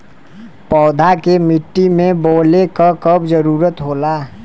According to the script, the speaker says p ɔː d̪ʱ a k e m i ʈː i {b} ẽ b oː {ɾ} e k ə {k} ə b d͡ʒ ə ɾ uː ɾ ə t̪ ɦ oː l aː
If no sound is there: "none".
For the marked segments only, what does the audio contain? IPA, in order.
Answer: m, l, k

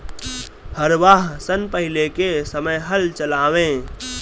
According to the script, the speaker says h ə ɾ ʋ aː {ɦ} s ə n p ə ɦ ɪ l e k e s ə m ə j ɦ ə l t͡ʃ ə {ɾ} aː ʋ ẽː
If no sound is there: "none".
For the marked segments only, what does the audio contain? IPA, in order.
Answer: ɦ, l

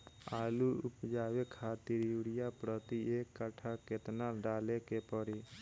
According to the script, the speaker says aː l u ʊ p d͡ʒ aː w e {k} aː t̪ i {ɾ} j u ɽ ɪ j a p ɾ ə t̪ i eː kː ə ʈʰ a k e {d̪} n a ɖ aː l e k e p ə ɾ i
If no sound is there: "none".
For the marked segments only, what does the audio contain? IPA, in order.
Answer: kʰ, ɾ, t̪

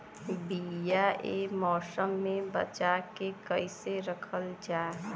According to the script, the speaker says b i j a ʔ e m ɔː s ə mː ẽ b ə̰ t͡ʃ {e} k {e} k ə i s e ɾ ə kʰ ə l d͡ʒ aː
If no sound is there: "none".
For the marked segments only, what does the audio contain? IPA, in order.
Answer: a, e

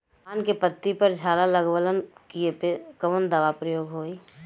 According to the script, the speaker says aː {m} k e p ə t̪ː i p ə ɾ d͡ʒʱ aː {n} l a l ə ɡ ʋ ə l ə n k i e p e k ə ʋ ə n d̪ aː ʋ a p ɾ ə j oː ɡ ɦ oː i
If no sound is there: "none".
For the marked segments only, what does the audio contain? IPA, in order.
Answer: n, none

